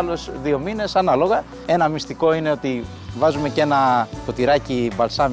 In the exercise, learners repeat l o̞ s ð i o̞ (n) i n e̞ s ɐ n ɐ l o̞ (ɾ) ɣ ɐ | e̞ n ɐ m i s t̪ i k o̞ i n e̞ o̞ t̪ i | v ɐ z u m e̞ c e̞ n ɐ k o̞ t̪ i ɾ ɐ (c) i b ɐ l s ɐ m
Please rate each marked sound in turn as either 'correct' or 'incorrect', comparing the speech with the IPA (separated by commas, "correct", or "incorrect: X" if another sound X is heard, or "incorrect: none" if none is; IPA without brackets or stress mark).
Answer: incorrect: m, incorrect: none, correct